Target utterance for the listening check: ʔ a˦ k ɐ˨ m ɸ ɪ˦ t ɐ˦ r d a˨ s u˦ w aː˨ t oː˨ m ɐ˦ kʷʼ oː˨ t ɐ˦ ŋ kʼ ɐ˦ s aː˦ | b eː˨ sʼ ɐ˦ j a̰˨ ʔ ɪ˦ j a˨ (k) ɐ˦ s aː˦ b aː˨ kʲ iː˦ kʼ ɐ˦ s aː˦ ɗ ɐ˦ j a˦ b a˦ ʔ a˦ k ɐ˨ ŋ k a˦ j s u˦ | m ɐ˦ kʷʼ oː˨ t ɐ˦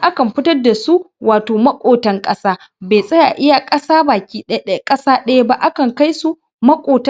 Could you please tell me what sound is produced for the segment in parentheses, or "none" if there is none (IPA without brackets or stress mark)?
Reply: kʼ